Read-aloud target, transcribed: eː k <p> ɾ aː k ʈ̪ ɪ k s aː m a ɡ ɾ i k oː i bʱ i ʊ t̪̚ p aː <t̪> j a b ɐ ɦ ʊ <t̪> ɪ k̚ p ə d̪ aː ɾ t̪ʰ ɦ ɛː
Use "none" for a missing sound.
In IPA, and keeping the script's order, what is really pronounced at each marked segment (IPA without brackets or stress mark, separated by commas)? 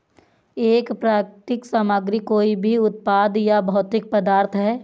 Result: p, d̪, t̪